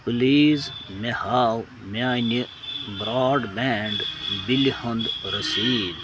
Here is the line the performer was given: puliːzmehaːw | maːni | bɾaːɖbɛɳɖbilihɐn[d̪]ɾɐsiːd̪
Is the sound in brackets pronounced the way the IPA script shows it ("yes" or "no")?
yes